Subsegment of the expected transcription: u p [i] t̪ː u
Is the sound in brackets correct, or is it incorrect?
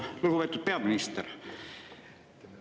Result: incorrect